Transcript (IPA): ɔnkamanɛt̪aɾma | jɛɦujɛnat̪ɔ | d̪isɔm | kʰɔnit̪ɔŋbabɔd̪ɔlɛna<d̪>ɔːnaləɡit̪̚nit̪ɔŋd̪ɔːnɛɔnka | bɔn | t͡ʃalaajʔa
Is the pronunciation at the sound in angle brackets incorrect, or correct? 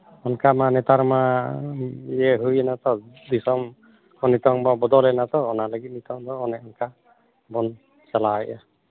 incorrect: t̪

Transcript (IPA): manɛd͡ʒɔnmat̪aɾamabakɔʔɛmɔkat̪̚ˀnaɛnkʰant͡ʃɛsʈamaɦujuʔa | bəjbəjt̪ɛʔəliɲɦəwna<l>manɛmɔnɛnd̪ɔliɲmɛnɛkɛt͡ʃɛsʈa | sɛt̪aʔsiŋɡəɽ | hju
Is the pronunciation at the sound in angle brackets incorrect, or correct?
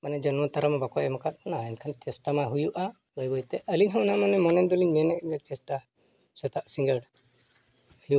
incorrect: none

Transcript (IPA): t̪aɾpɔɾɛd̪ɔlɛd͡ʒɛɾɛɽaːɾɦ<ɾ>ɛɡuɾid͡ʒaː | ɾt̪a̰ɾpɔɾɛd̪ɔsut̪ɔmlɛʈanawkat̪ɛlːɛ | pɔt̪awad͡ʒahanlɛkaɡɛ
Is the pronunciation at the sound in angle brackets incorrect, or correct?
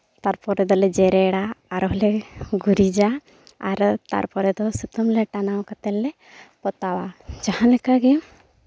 incorrect: l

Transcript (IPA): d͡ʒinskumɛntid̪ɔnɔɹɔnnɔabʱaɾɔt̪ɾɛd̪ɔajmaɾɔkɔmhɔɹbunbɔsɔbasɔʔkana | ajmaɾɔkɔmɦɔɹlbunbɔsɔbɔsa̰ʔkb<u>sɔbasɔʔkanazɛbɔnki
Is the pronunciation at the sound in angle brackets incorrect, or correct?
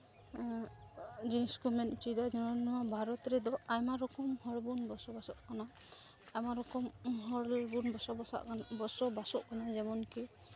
incorrect: ɔ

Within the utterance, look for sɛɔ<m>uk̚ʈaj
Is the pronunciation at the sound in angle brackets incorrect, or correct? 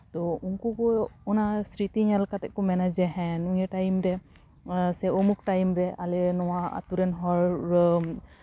correct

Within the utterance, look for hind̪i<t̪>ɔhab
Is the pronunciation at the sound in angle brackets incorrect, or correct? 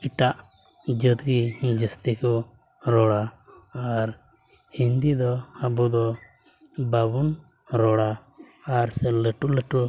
incorrect: d̪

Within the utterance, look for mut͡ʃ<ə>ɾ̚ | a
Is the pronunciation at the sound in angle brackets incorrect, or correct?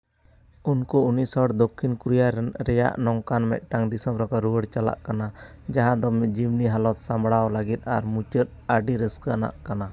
correct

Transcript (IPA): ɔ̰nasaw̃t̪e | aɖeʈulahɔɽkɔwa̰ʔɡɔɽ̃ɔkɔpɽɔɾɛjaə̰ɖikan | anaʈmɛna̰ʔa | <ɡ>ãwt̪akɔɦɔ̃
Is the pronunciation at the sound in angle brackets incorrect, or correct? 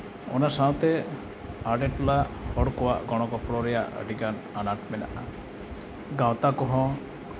correct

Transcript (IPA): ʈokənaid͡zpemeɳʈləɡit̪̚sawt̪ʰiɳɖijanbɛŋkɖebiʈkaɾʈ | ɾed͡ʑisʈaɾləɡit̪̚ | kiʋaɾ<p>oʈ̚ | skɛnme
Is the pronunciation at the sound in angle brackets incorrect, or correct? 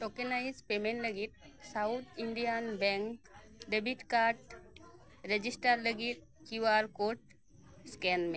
incorrect: k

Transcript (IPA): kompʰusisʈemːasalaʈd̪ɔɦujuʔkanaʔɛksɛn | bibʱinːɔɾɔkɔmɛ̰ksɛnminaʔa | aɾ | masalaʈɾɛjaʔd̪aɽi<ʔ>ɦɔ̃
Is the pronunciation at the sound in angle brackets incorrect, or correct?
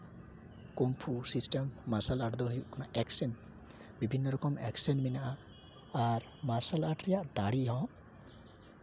incorrect: none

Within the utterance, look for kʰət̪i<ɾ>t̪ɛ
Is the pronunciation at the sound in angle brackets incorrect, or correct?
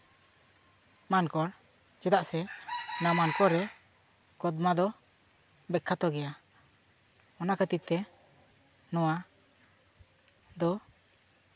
incorrect: none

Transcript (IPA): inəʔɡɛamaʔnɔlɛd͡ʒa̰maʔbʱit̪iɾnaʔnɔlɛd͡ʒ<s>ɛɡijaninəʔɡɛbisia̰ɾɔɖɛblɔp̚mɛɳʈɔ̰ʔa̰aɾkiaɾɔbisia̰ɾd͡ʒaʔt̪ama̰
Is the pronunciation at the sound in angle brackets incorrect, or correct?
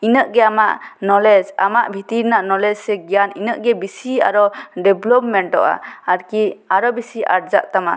correct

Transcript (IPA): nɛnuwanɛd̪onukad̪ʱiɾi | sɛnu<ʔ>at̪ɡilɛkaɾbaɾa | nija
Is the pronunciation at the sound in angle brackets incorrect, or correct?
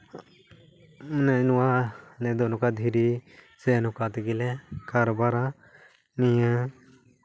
incorrect: k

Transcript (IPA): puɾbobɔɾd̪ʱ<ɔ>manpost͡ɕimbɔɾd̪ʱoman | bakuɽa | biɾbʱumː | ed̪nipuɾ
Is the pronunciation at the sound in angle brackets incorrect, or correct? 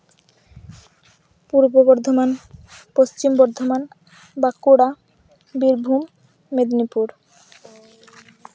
incorrect: o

